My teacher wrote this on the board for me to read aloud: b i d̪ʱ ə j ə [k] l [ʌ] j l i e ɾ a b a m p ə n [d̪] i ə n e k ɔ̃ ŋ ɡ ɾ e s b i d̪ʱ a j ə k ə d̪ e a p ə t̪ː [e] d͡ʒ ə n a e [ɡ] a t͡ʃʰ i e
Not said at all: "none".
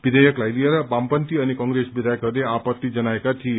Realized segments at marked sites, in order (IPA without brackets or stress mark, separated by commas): k, a, t̪, i, k